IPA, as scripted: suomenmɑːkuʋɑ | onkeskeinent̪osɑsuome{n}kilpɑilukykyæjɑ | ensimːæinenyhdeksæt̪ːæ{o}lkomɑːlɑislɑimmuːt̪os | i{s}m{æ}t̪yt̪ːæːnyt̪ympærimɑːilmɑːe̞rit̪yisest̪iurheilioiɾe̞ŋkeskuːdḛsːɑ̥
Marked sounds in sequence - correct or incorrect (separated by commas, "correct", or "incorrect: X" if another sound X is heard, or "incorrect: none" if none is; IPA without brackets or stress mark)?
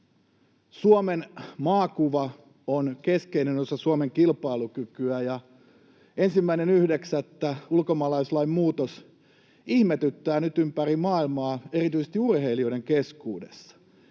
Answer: incorrect: ŋ, incorrect: u, incorrect: h, incorrect: e